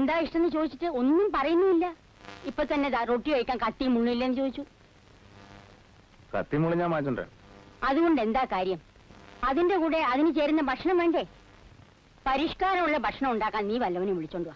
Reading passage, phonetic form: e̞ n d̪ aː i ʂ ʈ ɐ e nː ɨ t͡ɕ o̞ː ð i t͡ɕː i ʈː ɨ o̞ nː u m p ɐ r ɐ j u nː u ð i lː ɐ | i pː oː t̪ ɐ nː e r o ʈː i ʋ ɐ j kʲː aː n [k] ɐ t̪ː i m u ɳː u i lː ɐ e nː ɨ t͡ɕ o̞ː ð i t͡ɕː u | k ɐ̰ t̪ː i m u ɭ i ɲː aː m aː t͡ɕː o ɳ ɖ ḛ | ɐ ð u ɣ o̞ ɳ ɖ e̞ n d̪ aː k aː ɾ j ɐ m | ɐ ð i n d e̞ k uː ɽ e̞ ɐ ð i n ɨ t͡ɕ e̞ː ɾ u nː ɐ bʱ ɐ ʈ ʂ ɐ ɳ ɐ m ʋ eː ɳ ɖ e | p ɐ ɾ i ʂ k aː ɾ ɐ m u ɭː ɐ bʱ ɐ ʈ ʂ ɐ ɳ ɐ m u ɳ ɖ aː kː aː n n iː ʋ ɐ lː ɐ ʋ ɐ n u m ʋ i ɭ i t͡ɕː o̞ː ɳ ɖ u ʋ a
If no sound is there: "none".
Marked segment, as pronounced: k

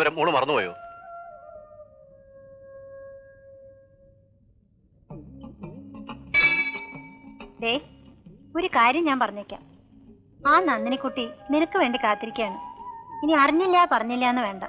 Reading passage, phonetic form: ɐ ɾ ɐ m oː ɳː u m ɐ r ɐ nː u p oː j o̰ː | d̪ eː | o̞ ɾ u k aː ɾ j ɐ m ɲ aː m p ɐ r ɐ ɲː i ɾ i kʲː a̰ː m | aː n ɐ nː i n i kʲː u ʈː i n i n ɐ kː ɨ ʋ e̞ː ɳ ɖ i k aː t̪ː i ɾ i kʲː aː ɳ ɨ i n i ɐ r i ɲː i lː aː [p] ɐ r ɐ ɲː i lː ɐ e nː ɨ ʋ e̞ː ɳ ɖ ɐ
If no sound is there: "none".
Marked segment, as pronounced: p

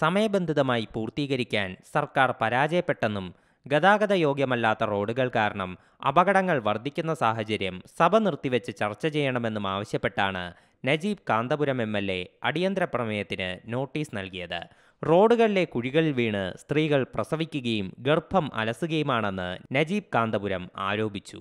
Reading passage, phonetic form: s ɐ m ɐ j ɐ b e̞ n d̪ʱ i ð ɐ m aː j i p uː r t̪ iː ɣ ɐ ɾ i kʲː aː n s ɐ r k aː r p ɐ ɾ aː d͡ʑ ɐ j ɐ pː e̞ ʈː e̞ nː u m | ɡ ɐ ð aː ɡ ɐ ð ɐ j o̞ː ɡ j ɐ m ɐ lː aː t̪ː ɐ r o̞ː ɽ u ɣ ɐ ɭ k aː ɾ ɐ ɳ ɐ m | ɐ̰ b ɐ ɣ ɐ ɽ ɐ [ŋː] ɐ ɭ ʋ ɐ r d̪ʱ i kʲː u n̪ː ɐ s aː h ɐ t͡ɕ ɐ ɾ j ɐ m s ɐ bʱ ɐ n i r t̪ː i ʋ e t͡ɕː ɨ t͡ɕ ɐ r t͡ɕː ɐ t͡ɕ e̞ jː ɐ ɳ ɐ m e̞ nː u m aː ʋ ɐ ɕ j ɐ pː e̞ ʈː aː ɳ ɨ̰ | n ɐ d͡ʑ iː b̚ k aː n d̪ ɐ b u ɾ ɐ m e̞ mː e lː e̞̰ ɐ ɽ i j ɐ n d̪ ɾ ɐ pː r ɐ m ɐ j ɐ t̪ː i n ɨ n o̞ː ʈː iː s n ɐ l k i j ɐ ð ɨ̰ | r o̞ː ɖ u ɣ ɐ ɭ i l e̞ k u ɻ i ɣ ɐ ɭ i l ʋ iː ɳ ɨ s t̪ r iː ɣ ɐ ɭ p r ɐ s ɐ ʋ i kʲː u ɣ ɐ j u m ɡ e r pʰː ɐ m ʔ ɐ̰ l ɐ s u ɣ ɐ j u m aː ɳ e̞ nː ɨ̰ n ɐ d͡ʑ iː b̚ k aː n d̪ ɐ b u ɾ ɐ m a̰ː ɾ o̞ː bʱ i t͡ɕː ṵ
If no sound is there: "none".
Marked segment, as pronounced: ŋː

